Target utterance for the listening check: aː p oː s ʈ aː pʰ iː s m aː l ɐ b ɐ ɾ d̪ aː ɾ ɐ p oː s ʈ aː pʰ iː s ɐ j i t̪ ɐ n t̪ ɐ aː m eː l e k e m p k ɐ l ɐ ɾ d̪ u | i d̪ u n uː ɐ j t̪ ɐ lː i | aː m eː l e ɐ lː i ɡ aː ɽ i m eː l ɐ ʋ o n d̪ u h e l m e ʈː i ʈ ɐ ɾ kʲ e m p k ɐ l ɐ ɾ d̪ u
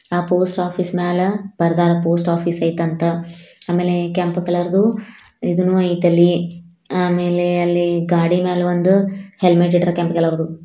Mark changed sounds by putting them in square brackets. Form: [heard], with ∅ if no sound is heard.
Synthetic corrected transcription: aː p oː s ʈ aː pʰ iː s m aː l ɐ b ɐ ɾ d̪ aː ɾ ɐ p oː s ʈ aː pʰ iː s ɐ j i t̪ ɐ n t̪ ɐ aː m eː l e k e m p k ɐ l ɐ ɾ d̪ u | i d̪ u n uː ɐ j t̪ ɐ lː i | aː m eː l e ɐ lː i ɡ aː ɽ i m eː l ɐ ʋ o n d̪ u h e l m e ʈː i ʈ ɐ ɾ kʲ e m p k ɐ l ɐ ɾ d̪ u